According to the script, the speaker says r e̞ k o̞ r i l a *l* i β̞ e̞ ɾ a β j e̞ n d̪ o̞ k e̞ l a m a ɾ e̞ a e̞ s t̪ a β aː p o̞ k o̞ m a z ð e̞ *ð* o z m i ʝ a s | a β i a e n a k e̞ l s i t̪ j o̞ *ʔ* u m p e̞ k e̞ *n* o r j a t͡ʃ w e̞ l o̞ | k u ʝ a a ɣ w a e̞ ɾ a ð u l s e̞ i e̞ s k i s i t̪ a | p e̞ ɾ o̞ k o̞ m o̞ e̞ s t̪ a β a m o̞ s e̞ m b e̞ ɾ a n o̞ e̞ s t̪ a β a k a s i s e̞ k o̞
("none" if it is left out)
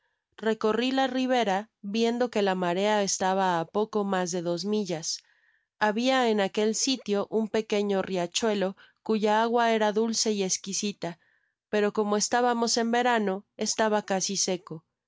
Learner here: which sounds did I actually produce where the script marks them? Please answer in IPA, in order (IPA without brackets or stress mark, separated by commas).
r, ð, ʔ, ɲ